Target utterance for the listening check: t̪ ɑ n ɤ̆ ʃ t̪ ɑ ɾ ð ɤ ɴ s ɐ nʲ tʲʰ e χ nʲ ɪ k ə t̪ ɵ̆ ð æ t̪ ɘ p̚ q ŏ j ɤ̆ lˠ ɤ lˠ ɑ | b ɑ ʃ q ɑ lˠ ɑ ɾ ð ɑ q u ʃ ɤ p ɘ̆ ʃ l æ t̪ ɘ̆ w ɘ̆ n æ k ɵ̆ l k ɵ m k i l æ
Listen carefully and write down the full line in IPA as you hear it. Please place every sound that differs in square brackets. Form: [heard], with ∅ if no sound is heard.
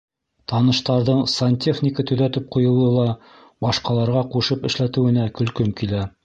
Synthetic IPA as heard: t̪ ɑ n ɤ̆ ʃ t̪ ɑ ɾ ð ɤ ɴ s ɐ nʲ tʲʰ e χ nʲ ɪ k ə t̪ ɵ̆ ð æ t̪ ɘ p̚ q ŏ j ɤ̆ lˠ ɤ lˠ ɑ | b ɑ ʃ q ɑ lˠ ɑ ɾ [ʁ] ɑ q u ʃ ɤ p ɘ̆ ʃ l æ t̪ ɘ̆ w ɘ̆ n æ k ɵ̆ l k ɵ m k i l æ